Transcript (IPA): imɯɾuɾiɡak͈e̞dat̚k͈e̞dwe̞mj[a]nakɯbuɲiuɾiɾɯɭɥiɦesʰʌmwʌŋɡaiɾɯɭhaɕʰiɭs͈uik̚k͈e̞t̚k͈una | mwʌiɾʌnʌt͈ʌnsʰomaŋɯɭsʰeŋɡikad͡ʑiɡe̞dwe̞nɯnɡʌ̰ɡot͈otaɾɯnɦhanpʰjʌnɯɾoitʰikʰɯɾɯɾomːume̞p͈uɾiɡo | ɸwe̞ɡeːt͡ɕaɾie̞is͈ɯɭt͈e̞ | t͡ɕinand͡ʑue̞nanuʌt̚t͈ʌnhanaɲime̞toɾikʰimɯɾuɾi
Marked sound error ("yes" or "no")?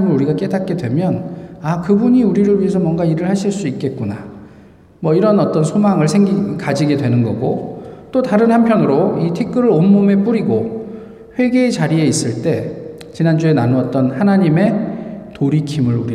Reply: yes